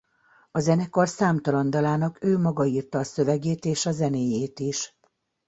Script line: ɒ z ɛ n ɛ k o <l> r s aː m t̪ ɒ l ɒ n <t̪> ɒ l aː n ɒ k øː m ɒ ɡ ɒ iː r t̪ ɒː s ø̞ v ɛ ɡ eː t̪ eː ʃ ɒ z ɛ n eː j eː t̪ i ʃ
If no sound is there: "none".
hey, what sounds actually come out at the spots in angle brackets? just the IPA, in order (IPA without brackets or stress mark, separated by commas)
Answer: none, d̪